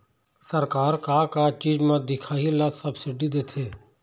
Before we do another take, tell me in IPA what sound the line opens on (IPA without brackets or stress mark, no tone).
s